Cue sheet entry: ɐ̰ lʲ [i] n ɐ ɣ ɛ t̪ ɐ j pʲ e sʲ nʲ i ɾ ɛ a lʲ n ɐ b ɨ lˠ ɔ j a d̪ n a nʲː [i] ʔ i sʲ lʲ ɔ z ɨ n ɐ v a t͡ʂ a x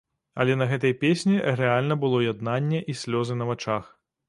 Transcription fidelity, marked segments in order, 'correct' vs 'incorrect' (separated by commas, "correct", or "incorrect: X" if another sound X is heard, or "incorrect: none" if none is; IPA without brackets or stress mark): incorrect: ɛ, incorrect: ɛ